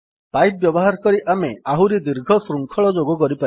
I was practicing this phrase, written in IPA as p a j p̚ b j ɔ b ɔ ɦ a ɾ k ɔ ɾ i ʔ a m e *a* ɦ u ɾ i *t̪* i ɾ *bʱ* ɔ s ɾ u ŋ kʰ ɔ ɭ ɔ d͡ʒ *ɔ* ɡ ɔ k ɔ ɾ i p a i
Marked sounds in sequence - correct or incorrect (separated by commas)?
correct, incorrect, incorrect, incorrect